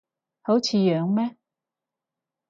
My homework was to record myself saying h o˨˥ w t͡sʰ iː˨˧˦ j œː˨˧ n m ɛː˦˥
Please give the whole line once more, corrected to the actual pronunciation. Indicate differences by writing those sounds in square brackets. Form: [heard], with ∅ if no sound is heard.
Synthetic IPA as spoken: h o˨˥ w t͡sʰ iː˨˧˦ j œː˨˧ [ŋ] m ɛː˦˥